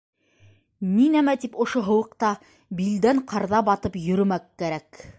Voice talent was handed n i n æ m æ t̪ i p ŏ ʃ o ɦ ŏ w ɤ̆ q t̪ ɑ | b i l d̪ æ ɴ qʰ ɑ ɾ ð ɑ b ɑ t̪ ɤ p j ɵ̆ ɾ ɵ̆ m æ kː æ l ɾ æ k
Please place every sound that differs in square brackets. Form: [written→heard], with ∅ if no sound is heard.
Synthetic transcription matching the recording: n i n æ m æ t̪ i p ŏ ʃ o ɦ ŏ w ɤ̆ q t̪ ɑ | b i l d̪ æ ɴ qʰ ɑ ɾ ð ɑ b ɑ t̪ ɤ p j ɵ̆ ɾ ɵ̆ m æ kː æ [l→∅] ɾ æ k